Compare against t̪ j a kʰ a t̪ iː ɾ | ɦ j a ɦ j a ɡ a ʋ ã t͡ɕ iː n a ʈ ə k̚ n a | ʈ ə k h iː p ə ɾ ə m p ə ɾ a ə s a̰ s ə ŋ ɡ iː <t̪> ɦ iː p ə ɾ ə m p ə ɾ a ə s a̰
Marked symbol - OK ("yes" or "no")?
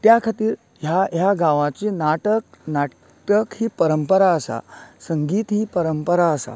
yes